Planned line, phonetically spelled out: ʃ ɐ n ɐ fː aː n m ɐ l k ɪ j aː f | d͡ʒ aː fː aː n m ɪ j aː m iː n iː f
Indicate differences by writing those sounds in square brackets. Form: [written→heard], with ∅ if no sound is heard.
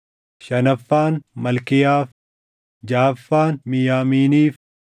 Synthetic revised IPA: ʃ ɐ n ɐ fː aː n m ɐ l k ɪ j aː f | d͡ʒ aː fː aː n m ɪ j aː m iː n iː f

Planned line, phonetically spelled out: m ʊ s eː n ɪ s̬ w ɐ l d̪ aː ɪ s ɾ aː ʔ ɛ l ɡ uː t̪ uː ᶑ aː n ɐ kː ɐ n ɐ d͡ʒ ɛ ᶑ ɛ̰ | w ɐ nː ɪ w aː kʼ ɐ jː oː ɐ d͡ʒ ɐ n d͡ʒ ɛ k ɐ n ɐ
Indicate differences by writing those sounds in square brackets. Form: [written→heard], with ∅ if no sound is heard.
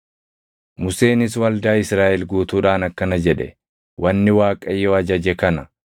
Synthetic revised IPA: m ʊ s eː n ɪ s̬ w ɐ l d̪ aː ɪ s ɾ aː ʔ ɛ l ɡ uː t̪ uː ᶑ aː n ɐ kː ɐ n ɐ d͡ʒ ɛ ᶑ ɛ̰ | w ɐ nː ɪ w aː kʼ ɐ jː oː ɐ d͡ʒ ɐ [n→∅] d͡ʒ ɛ k ɐ n ɐ

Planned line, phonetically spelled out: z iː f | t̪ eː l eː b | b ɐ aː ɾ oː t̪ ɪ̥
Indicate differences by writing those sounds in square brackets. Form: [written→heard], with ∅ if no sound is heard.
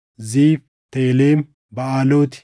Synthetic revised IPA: z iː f | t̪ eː l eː [b→m] | b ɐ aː [ɾ→l] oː t̪ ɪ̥

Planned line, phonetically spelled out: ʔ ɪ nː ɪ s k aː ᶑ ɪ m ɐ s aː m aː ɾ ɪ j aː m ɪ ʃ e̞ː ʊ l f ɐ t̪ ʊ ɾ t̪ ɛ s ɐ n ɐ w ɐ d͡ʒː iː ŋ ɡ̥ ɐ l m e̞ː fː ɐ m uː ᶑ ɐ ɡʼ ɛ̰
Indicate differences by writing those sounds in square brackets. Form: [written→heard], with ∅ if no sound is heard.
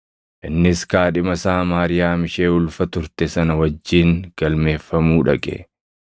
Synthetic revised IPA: ʔ ɪ nː ɪ s k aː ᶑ ɪ m ɐ s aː m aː ɾ ɪ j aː m ɪ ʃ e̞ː ʊ l f ɐ t̪ ʊ ɾ t̪ ɛ s ɐ n ɐ w ɐ d͡ʒː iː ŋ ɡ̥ ɐ l m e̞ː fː ɐ m uː ᶑ ɐ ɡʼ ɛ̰

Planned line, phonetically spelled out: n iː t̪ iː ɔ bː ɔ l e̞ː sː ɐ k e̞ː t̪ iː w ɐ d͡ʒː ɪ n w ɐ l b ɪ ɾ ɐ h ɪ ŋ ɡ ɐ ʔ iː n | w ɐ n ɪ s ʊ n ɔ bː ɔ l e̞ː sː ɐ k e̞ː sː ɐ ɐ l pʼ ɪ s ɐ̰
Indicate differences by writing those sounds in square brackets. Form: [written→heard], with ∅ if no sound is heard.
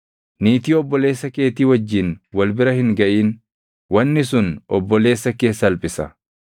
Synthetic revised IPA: n iː t̪ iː ɔ bː ɔ l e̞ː sː ɐ k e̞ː t̪ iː w ɐ d͡ʒː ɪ n w ɐ l b ɪ ɾ ɐ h ɪ ŋ ɡ ɐ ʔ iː n | w ɐ [n→nː] ɪ s ʊ n ɔ bː ɔ l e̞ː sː ɐ k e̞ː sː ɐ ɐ l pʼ ɪ s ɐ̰

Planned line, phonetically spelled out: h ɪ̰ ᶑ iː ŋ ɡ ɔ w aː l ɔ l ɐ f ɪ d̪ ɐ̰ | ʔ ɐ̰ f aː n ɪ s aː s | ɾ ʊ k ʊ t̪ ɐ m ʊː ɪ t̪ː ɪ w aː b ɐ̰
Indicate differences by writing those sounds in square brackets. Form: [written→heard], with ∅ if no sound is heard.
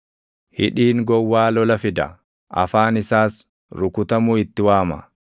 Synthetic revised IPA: h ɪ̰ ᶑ iː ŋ ɡ ɔ [w→wː] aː l ɔ l ɐ f ɪ d̪ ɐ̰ | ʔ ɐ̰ f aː n ɪ s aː s | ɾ ʊ k ʊ t̪ ɐ m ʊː ɪ t̪ː ɪ w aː [b→m] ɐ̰

